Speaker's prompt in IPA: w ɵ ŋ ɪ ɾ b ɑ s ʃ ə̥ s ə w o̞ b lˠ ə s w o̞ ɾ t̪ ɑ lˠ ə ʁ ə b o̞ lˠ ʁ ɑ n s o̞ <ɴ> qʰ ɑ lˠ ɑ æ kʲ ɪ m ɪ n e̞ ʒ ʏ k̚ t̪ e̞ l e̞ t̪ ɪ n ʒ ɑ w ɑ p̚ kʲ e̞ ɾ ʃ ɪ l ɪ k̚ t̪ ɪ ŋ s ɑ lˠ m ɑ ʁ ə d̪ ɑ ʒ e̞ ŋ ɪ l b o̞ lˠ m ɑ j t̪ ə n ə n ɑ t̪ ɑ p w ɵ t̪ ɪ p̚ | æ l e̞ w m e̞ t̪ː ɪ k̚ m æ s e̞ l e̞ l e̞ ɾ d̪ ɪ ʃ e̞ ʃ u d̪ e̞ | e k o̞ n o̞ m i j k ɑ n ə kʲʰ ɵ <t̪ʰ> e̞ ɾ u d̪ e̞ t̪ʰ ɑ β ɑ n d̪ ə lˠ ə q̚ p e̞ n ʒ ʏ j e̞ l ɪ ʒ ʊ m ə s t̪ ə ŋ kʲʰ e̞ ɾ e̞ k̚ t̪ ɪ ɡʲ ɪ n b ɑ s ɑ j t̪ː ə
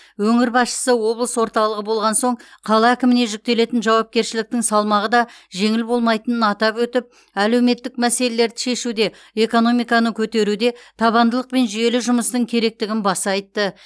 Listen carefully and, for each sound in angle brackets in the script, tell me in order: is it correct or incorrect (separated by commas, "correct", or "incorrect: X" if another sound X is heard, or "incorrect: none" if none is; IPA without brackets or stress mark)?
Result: correct, incorrect: t̪